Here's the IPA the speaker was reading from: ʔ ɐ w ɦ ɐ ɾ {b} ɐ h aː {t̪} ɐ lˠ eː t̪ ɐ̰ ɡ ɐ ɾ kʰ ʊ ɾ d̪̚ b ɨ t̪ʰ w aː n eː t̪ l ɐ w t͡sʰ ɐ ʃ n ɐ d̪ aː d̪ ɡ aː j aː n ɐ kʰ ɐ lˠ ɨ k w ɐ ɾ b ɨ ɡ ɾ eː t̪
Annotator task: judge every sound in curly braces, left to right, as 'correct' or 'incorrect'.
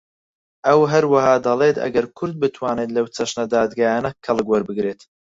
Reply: incorrect, incorrect

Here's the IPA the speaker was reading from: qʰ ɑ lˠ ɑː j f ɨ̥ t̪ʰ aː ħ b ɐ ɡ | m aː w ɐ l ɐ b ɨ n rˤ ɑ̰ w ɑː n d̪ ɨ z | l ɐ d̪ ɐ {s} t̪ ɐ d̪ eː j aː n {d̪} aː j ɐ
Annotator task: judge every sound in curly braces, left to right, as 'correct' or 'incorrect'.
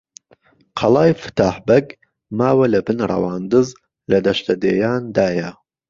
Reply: incorrect, correct

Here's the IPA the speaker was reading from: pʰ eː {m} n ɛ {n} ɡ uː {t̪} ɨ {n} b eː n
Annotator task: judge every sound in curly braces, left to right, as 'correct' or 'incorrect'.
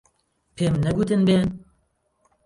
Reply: correct, incorrect, correct, correct

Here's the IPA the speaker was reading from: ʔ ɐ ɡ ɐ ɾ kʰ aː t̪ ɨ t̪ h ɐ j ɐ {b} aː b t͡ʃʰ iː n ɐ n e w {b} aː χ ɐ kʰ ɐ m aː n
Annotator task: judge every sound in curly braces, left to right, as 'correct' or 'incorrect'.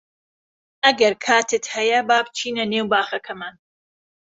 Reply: correct, correct

